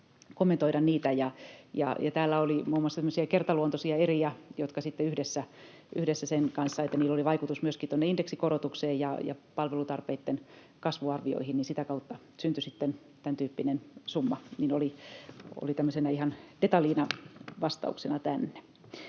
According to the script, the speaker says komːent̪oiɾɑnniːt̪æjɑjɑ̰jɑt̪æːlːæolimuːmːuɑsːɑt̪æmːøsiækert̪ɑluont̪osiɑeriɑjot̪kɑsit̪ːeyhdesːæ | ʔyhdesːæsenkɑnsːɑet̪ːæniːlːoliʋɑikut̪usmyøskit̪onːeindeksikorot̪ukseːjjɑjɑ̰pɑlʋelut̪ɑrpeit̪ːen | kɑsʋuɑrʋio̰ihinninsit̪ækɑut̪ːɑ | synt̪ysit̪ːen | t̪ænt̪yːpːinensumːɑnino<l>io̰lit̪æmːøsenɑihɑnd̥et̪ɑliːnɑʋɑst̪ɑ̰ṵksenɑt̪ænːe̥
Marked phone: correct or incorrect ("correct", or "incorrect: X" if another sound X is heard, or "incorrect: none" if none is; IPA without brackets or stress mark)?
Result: correct